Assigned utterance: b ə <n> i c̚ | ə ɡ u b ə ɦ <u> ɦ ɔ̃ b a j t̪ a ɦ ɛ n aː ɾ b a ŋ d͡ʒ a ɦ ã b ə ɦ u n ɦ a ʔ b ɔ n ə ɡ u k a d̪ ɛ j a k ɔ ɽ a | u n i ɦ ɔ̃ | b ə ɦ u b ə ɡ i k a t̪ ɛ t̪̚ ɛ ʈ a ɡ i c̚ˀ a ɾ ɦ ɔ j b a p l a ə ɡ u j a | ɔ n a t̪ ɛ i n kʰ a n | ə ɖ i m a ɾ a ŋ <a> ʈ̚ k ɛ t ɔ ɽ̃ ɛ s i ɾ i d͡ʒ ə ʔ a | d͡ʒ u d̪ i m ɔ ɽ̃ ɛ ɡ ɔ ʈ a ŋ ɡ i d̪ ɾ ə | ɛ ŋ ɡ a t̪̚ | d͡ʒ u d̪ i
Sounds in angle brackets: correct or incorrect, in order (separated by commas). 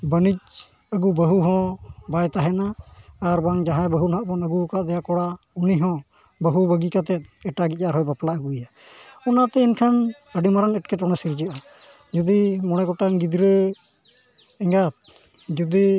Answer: correct, correct, incorrect